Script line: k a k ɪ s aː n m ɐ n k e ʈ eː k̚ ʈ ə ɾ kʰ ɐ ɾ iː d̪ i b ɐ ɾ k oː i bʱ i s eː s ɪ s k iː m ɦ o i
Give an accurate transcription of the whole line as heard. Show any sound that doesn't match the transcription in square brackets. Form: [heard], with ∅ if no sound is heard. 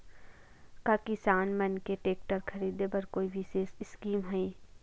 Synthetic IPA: k a k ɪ s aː n m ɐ n k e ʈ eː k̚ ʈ ə ɾ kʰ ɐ ɾ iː d̪ [e] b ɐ ɾ k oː i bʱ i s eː s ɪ s k iː m ɦ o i